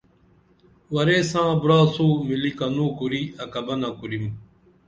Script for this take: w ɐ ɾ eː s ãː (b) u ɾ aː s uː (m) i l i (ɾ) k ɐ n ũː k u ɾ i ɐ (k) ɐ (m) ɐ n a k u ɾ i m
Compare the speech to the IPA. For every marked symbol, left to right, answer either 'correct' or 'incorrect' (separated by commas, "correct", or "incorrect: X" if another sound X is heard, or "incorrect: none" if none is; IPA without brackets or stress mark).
correct, correct, incorrect: none, correct, incorrect: b